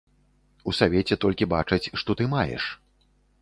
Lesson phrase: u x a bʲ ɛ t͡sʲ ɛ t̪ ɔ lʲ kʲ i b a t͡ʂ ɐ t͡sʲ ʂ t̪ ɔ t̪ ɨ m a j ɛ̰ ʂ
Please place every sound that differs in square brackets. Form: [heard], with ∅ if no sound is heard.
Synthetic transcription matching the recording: u [s] a [vʲ] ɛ t͡sʲ ɛ t̪ ɔ lʲ kʲ i b a t͡ʂ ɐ t͡sʲ ʂ t̪ ɔ t̪ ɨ m a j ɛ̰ ʂ